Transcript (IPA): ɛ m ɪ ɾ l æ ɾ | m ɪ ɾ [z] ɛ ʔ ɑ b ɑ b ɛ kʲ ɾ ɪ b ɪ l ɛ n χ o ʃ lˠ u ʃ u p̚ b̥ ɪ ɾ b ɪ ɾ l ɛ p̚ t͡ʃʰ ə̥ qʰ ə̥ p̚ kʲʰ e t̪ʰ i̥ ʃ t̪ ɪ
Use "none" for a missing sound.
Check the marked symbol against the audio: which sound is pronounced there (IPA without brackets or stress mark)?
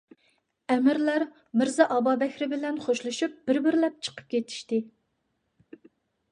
z